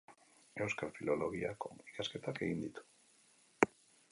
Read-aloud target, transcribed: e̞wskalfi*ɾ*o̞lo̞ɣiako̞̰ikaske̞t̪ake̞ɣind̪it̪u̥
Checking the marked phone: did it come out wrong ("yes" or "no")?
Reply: yes